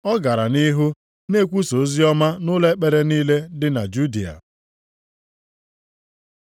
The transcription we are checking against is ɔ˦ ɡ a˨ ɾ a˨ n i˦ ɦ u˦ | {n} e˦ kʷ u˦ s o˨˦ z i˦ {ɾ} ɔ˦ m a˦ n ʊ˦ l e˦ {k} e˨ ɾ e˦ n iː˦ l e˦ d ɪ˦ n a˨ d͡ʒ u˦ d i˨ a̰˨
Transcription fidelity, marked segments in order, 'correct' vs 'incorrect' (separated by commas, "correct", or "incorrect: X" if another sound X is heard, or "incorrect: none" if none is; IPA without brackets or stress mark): correct, incorrect: none, incorrect: k͡p